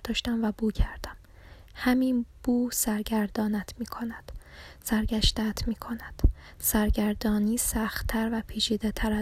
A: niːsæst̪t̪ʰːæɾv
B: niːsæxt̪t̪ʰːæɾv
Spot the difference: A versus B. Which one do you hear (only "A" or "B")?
B